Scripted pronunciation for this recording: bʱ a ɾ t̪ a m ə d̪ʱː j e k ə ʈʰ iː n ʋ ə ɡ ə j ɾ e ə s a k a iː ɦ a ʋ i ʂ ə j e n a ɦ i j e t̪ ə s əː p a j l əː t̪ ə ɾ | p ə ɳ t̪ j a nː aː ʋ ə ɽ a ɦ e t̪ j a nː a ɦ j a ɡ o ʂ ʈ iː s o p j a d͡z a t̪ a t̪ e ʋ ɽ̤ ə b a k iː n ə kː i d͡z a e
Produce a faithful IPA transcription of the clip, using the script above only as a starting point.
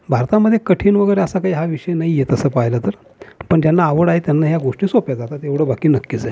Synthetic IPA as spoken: bʱ a ɾ t̪ a m ə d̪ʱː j e k ə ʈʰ iː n ʋ ə ɡ ə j ɾ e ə s a k a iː ɦ a ʋ i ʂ ə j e n a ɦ i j e t̪ ə s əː p a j l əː t̪ ə ɾ | p ə ɳ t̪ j a nː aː ʋ ə ɽ a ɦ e t̪ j a nː a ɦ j a ɡ o ʂ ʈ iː s o p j a d͡z a t̪ a t̪ e ʋ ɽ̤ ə b a k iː n ə kː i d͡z a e